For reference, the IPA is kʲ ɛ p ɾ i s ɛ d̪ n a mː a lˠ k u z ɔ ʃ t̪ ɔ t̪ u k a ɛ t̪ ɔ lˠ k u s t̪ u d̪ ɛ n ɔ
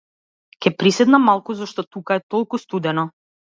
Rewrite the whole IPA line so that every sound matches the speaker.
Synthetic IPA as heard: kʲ ɛ p ɾ i s ɛ d̪ n a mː a lˠ k u z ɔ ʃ t̪ ɔ t̪ u k a ɛ t̪ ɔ lˠ k u s t̪ u d̪ ɛ n ɔ